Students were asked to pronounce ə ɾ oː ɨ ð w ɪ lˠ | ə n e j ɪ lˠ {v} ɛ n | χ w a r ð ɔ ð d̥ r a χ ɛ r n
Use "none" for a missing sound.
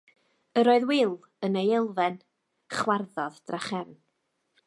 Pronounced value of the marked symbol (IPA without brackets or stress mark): v